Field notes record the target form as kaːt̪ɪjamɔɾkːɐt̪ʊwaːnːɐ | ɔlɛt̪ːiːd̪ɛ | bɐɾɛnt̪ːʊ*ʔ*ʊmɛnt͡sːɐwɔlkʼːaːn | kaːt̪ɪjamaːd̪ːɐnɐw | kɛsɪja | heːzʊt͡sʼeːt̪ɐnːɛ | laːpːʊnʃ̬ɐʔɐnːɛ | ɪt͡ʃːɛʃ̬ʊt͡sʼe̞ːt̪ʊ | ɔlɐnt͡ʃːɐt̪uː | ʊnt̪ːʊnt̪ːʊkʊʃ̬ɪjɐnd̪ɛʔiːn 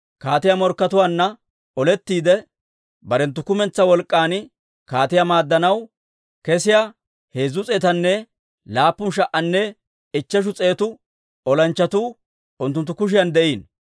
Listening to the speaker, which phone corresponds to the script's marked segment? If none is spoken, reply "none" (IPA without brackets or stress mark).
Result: k